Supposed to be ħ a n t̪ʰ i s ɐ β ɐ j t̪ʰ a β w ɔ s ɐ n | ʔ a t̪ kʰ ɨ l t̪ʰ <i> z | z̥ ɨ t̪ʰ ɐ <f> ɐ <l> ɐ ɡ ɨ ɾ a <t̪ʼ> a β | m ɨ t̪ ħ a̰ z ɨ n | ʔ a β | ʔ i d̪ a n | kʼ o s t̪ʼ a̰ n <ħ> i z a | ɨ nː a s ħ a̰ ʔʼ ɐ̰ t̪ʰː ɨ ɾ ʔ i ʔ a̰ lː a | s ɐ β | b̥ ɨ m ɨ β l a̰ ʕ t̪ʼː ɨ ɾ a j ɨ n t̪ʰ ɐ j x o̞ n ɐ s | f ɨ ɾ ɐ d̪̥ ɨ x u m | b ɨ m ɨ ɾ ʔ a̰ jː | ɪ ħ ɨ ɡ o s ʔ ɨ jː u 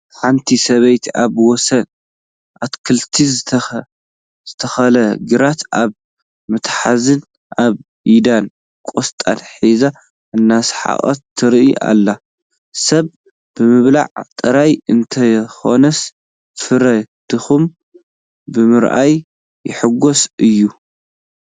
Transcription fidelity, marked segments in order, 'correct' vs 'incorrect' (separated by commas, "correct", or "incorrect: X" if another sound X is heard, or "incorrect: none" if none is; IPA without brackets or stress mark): correct, incorrect: x, correct, incorrect: t̪, correct